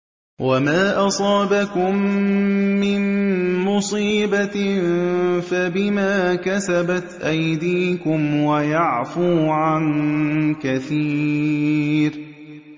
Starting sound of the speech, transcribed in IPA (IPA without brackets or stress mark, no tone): w